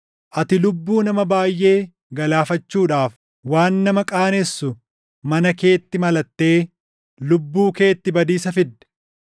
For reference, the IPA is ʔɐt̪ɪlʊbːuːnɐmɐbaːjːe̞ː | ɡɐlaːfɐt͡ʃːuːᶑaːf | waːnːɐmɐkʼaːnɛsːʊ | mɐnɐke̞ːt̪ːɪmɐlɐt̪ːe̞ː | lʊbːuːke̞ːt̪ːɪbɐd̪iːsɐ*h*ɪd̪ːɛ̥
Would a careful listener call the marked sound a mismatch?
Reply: yes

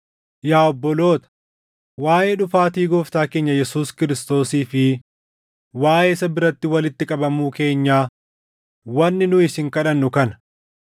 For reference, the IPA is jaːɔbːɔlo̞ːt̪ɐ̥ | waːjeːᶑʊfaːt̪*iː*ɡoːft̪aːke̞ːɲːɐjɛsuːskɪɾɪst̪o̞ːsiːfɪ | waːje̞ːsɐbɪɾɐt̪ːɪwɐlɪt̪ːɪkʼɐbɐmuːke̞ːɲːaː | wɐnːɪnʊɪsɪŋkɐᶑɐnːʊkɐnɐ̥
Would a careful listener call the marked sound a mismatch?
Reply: no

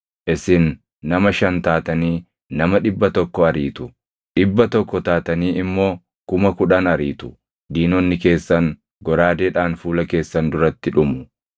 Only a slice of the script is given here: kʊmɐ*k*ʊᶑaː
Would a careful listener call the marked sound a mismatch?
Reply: no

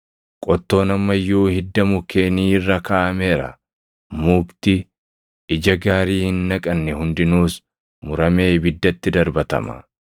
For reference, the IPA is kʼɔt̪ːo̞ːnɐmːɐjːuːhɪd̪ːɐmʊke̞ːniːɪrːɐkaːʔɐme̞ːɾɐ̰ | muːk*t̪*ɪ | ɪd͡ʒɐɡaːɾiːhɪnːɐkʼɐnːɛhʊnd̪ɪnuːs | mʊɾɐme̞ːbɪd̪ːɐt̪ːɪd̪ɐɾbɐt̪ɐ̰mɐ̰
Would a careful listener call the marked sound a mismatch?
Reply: no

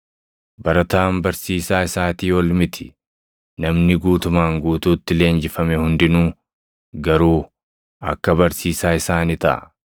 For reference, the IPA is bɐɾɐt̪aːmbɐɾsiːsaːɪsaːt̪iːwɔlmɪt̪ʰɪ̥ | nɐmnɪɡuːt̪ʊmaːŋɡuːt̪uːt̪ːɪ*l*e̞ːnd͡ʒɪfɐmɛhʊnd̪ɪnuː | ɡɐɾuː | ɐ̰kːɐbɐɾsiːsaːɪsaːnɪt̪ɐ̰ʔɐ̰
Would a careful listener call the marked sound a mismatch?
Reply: no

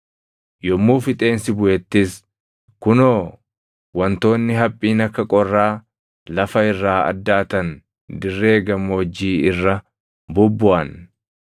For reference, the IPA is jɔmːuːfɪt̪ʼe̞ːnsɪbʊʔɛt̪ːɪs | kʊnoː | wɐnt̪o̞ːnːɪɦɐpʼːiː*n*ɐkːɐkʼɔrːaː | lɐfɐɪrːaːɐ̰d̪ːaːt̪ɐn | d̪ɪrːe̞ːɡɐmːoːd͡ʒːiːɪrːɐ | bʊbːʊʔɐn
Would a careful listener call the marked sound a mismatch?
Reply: no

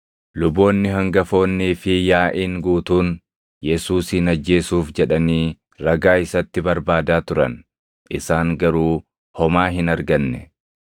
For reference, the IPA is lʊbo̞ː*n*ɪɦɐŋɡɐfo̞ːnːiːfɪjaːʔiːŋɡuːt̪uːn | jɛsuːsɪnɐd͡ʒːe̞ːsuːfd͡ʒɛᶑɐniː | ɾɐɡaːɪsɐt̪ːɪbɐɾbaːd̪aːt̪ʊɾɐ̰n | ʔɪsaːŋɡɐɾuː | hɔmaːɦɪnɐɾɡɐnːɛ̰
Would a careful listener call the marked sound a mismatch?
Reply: yes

